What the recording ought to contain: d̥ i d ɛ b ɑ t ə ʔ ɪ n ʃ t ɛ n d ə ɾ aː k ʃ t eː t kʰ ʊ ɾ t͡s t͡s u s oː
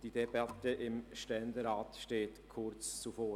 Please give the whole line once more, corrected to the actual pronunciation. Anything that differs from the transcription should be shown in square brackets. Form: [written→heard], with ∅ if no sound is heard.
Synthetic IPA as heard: d̥ i d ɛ b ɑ t ə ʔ ɪ [n→m] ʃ t ɛ n d ə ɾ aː [k→t] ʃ t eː t kʰ ʊ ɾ t͡s t͡s u [s→f] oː